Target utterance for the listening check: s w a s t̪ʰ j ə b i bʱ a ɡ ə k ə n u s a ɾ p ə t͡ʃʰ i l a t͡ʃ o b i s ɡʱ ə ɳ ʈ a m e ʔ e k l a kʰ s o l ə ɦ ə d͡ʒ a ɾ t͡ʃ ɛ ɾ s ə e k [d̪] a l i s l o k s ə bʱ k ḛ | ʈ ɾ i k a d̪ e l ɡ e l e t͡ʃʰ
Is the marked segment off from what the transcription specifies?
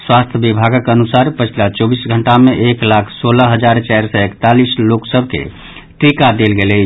yes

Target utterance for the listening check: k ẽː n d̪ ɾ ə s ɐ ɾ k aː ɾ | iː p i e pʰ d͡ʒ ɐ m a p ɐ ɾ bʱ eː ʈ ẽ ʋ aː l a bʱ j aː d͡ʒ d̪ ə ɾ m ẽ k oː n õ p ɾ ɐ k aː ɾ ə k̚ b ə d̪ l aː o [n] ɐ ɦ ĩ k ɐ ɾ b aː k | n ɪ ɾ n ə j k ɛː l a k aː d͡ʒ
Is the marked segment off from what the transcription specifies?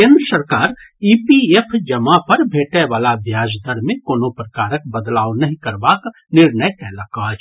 no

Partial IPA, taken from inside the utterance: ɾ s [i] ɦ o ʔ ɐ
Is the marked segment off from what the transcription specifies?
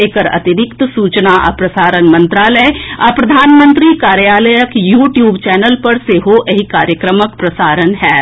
yes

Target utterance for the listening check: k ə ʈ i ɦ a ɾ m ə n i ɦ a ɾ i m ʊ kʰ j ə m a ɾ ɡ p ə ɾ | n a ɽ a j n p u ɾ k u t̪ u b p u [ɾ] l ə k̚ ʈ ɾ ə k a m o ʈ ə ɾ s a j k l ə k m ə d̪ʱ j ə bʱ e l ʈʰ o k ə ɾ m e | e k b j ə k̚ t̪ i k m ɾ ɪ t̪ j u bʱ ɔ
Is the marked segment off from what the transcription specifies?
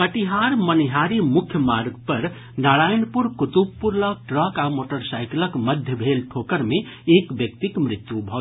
no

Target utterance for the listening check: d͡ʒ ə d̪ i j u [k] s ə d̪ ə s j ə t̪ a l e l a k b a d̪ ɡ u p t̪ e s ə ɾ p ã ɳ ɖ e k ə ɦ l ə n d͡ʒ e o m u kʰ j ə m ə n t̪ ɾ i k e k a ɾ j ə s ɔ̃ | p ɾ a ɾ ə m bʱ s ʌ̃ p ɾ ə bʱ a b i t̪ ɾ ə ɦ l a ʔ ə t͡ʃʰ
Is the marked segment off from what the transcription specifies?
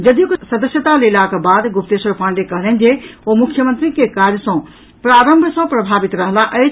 no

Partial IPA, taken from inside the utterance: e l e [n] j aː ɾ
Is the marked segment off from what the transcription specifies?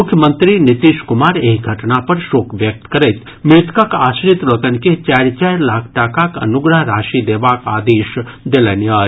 no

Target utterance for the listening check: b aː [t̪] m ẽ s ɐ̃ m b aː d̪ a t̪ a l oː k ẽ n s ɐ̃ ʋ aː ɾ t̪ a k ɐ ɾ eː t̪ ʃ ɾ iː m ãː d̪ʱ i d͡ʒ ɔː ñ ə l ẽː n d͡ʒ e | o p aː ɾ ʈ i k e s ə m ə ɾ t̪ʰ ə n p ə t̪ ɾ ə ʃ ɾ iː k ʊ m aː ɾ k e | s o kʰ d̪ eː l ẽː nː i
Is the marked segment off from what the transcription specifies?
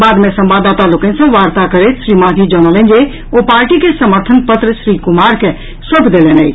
yes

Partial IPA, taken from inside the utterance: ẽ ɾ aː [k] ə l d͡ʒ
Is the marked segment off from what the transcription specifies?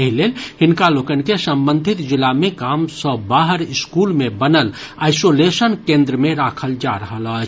yes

